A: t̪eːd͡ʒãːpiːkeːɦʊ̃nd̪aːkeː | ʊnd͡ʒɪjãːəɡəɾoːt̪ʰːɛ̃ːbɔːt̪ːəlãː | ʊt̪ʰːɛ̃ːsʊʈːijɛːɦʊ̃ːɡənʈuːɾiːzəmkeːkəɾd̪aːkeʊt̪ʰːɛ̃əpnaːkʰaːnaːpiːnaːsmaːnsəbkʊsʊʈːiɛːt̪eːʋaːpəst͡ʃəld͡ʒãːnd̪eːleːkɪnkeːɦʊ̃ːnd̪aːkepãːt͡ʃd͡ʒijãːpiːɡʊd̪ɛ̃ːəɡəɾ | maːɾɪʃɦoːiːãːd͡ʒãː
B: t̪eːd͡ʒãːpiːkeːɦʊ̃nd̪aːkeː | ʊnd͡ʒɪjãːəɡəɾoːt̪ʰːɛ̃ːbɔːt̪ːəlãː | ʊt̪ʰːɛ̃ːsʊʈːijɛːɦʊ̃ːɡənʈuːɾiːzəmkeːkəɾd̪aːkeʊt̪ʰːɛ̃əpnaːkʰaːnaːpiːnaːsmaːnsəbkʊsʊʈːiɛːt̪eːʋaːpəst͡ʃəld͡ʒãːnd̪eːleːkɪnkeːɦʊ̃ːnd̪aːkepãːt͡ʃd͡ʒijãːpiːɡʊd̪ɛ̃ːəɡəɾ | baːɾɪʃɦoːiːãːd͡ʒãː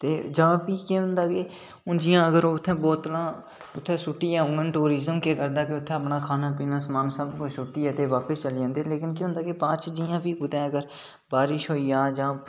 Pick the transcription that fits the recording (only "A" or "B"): B